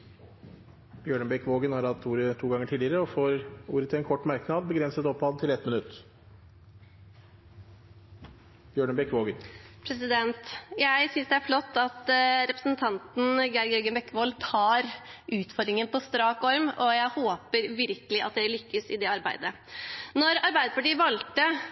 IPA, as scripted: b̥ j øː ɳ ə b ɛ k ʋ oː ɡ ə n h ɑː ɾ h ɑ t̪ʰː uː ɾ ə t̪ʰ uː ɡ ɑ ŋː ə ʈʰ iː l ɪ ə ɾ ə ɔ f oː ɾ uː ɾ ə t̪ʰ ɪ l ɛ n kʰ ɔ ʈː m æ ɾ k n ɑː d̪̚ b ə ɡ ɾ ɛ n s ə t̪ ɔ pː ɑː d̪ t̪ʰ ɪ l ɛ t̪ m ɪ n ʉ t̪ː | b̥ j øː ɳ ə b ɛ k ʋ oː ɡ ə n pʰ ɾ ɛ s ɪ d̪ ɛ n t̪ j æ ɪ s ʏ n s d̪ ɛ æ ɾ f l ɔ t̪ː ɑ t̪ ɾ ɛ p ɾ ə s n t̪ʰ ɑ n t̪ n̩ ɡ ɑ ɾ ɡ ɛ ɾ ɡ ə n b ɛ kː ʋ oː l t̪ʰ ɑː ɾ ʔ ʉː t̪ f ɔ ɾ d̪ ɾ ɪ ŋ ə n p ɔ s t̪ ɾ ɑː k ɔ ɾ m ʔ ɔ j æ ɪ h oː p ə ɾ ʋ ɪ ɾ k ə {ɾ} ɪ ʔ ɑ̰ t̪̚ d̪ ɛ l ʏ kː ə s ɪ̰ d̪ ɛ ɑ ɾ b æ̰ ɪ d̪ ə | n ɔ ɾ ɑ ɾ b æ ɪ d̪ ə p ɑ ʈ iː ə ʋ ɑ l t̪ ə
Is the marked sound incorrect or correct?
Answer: incorrect: l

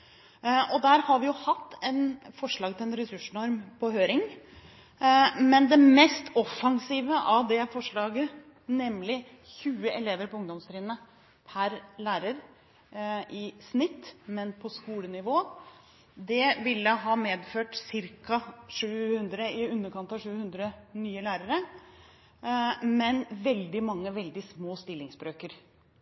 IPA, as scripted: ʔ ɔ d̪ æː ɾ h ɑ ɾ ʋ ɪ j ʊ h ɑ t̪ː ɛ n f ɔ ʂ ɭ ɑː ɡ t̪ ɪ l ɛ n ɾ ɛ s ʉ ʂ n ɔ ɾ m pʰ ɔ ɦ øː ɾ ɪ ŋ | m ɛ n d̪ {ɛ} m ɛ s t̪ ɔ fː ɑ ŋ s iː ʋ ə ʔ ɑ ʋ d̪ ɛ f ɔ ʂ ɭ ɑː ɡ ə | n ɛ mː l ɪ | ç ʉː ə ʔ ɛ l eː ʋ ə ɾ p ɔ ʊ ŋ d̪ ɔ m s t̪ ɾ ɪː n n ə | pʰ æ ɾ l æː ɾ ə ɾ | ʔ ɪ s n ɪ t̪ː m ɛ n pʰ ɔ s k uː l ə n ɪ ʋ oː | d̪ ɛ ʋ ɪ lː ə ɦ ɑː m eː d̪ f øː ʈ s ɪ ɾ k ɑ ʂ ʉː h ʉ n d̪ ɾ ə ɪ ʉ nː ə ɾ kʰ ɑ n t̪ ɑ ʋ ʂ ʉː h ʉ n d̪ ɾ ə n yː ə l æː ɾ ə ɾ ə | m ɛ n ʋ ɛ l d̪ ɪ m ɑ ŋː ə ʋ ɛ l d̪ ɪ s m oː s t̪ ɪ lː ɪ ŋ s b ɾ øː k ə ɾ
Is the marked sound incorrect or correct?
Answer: correct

